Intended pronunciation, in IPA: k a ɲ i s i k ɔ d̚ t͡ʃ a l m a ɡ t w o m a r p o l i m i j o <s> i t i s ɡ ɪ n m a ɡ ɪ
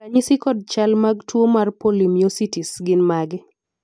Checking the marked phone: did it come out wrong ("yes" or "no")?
no